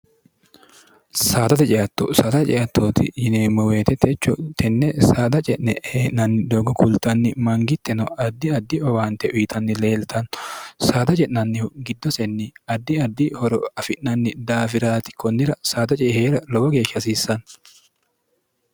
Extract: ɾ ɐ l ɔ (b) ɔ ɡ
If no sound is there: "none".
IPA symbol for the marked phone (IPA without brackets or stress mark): w